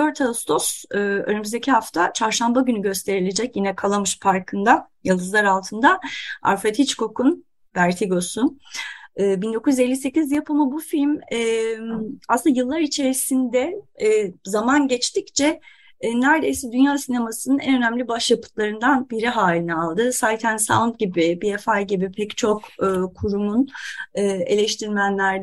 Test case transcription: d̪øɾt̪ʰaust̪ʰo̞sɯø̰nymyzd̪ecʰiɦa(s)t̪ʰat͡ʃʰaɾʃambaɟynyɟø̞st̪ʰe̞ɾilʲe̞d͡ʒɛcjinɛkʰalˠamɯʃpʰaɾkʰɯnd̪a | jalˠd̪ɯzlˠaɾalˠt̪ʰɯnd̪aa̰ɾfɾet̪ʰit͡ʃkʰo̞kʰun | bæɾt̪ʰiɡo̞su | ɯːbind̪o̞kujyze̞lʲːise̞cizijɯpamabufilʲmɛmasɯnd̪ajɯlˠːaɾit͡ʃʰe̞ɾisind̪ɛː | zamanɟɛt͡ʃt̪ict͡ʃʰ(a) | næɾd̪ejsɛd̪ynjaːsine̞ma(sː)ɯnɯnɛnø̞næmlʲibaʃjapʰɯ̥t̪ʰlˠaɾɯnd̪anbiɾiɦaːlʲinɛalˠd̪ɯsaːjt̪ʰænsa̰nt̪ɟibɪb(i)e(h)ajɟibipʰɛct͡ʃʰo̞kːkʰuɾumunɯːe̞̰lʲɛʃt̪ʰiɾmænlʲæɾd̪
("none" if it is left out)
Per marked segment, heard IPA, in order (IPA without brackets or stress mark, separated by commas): f, ɛ, s, i, f